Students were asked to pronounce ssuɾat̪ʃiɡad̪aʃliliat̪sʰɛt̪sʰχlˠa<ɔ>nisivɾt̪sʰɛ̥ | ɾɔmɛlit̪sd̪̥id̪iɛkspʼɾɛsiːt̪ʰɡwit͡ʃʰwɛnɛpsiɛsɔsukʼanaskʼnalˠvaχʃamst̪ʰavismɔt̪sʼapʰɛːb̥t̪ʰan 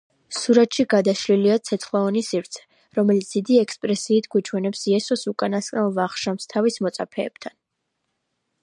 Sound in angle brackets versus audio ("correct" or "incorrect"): correct